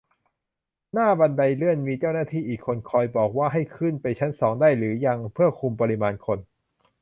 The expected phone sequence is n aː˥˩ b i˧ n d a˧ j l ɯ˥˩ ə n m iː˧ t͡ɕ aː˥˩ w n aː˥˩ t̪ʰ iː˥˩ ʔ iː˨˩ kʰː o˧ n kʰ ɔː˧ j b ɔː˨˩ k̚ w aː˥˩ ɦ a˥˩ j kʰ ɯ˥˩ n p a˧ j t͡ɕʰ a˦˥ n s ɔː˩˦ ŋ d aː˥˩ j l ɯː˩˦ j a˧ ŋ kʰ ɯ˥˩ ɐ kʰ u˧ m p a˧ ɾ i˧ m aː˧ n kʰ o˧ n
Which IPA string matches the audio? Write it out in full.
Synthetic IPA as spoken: n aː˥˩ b a˧ n d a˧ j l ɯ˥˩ ə n m iː˧ t͡ɕ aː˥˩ w n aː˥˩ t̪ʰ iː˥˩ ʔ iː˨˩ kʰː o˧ n kʰ ɔː˧ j b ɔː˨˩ k̚ w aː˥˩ ɦ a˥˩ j kʰ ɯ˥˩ n p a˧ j t͡ɕʰ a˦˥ n s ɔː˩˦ ŋ d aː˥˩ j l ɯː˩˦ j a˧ ŋ pʰ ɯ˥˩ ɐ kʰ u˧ m p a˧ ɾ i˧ m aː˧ n kʰ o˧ n